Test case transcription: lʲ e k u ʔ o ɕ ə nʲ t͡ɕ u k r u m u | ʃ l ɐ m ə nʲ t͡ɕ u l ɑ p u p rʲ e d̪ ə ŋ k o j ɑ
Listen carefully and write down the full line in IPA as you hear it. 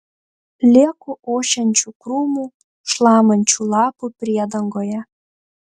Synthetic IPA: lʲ e k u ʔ o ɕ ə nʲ t͡ɕ u k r u m u | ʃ l ɑ m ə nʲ t͡ɕ u l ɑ p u p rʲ e d̪ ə ŋ ɡ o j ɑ